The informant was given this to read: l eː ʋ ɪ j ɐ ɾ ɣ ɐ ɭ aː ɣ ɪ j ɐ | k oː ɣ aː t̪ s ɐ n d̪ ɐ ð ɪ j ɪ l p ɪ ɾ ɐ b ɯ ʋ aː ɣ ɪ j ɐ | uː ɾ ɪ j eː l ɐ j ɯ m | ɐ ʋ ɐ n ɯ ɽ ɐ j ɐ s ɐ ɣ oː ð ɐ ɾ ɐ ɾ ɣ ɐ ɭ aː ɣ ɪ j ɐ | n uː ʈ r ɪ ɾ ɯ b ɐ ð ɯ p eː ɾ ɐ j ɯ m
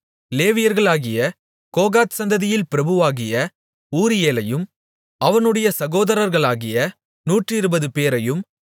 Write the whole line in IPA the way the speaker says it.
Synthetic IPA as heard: l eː ʋ ɪ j ɐ ɾ ɣ ɐ ɭ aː ɣ ɪ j ɐ | k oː ɣ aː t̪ s ɐ n d̪ ɐ ð ɪ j ɪ l p ɪ ɾ ɐ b ɯ ʋ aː ɣ ɪ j ɐ | uː ɾ ɪ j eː l ɐ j ɯ m | ɐ ʋ ɐ n ɯ ɽ ɐ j ɐ s ɐ ɣ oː ð ɐ ɾ ɐ ɾ ɣ ɐ ɭ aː ɣ ɪ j ɐ | n uː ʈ r ɪ ɾ ɯ b ɐ ð ɯ p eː ɾ ɐ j ɯ m